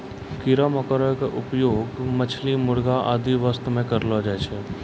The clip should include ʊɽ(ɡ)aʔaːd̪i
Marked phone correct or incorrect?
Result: correct